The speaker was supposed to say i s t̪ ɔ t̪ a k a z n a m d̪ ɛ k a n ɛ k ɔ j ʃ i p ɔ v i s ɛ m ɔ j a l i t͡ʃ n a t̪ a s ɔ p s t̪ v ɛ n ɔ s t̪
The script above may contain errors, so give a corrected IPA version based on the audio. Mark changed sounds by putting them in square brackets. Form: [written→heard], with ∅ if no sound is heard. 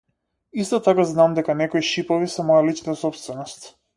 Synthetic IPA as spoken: i s t̪ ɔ t̪ a k a z n a m d̪ ɛ k a n ɛ k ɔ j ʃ i p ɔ v i s ɛ m ɔ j a l i t͡ʃ n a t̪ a s ɔ p s t̪ v ɛ n ɔ s t̪